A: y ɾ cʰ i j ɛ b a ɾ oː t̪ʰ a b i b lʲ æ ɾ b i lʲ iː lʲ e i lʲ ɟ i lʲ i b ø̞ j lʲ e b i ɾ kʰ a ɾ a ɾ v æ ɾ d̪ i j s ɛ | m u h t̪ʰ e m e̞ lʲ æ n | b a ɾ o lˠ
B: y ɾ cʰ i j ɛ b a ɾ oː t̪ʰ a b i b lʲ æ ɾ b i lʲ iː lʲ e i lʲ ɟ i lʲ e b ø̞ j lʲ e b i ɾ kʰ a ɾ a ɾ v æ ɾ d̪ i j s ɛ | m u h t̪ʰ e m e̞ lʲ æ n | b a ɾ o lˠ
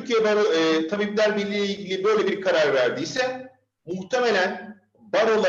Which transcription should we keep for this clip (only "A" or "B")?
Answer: A